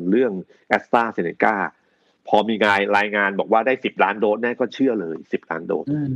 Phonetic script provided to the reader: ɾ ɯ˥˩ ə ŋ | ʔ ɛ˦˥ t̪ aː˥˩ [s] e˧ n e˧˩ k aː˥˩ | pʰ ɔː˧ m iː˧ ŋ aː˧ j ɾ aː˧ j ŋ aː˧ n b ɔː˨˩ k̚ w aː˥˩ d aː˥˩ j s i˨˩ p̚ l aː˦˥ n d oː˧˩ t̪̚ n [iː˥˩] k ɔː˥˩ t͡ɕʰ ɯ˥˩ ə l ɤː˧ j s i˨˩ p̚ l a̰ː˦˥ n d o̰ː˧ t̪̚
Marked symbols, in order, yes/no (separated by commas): yes, no